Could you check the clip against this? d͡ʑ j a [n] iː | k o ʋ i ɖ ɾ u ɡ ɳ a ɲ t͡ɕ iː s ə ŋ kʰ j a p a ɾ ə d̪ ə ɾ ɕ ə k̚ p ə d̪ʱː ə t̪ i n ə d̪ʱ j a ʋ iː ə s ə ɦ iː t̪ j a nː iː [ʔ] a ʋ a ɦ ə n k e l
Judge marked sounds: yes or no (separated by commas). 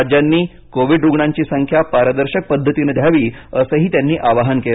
no, yes